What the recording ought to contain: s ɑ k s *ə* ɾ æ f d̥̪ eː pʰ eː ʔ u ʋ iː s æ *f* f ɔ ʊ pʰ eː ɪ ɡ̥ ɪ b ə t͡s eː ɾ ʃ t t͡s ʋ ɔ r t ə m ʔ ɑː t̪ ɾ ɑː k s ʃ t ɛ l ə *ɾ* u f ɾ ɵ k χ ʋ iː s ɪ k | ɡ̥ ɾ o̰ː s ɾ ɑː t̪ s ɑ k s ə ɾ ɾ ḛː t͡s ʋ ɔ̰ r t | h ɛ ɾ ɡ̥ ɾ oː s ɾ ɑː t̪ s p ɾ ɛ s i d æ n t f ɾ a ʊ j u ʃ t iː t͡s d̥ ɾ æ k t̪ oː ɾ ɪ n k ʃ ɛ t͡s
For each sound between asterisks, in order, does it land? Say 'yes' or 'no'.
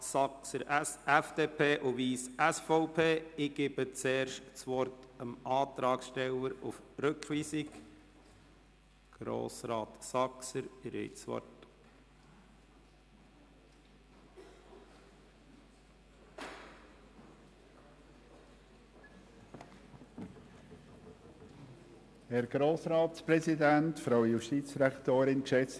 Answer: yes, no, yes

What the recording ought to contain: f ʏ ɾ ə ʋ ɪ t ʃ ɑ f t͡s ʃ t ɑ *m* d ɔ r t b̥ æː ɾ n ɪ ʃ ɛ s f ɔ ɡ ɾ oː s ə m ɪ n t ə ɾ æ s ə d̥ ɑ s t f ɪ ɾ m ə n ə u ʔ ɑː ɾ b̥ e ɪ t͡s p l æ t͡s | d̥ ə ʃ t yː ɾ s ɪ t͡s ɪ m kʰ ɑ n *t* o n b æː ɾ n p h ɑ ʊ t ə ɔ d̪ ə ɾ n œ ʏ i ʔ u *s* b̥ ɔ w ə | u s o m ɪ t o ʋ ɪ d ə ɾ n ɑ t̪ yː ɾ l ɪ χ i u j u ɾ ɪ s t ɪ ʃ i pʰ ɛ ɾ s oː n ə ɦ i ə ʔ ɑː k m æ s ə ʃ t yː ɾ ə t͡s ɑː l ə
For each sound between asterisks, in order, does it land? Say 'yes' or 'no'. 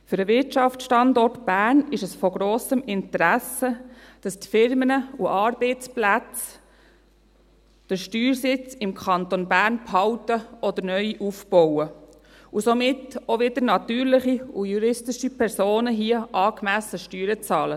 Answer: no, yes, no

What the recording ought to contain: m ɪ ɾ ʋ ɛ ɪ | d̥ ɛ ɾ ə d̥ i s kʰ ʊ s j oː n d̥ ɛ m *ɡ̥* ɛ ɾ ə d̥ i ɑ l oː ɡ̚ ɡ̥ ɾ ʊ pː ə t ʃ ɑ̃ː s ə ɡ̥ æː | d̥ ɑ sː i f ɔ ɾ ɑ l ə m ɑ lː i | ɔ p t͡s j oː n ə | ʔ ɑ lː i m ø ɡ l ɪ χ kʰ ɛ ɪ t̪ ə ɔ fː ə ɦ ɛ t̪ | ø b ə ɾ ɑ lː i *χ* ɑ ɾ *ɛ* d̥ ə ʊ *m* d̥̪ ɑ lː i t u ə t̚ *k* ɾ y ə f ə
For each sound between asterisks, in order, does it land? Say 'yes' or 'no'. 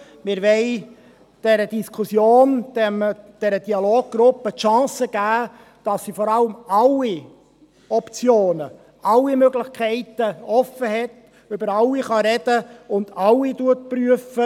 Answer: no, yes, yes, no, no

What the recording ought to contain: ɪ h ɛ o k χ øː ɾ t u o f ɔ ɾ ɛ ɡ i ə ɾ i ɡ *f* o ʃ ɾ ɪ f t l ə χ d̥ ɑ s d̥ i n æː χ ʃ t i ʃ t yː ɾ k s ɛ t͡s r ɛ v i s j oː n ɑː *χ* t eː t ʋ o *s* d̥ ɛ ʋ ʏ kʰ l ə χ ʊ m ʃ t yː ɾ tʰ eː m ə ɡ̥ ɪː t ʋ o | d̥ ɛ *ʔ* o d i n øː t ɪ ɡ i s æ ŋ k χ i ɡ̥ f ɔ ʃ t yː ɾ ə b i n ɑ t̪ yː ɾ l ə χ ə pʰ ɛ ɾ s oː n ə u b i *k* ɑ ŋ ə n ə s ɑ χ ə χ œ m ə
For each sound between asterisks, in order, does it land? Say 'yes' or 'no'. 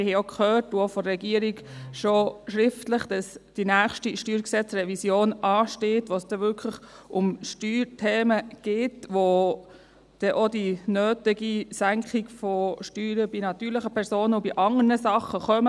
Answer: no, no, yes, yes, no

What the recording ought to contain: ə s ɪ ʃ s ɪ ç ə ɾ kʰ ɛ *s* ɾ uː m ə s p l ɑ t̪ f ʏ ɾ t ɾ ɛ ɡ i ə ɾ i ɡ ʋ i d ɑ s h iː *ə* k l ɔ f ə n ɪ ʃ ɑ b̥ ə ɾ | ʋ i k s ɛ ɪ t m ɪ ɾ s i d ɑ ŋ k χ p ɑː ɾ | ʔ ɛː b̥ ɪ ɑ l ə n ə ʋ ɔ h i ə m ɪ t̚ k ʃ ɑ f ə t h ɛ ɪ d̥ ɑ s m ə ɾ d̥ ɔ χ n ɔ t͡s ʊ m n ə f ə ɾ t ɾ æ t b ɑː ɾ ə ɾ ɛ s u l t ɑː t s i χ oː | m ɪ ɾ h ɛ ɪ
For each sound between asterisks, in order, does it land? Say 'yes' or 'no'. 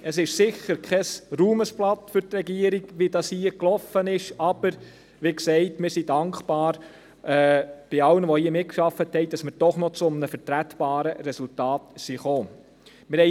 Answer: yes, yes

